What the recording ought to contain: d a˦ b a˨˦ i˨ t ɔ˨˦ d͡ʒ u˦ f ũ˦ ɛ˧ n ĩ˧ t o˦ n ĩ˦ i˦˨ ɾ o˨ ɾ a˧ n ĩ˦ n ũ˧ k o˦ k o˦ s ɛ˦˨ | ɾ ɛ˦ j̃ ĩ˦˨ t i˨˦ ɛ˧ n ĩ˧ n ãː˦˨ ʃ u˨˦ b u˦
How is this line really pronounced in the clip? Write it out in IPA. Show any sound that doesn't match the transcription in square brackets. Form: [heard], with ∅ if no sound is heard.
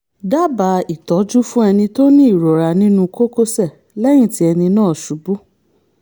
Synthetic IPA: d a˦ b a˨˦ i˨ t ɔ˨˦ d͡ʒ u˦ f ũ˦ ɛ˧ n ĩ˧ t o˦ n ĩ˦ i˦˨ ɾ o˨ ɾ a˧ n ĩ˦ n ũ˧ k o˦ k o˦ s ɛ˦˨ | [l] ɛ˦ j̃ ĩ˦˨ t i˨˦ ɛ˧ n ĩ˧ n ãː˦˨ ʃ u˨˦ b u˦